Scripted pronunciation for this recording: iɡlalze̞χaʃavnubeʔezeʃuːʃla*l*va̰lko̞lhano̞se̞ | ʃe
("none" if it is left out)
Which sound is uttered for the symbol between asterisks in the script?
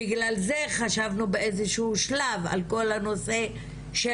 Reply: none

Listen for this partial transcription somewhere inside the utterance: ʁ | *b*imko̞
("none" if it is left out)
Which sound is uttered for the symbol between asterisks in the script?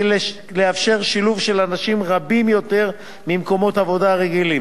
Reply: m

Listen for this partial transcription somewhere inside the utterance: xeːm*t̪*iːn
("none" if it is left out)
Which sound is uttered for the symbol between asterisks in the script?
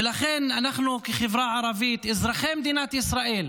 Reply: d̪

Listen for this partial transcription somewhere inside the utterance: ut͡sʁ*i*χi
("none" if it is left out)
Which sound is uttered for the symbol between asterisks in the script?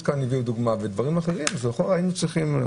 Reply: i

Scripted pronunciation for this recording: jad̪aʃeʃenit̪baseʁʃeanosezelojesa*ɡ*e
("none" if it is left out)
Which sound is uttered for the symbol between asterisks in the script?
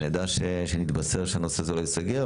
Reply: ɡ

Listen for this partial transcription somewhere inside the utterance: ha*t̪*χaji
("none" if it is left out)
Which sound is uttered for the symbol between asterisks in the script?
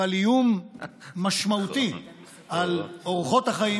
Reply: none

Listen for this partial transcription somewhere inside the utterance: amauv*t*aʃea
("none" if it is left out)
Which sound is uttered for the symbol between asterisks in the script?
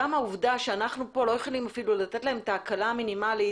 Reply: d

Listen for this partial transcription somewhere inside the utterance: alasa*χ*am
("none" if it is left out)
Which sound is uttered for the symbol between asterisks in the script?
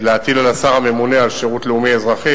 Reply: ʁ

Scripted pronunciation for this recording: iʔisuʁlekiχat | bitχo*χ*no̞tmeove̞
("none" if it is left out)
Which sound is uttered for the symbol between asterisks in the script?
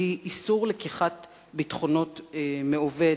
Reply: none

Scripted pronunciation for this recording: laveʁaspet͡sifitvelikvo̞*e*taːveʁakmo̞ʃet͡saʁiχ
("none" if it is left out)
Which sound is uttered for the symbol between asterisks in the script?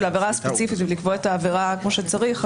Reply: e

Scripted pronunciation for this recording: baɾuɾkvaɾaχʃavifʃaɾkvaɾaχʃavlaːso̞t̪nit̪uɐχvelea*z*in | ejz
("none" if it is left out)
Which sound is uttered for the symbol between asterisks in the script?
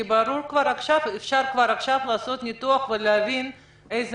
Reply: v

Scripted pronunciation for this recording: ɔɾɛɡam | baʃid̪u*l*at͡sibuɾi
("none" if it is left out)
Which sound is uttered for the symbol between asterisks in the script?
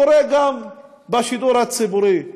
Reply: ɾ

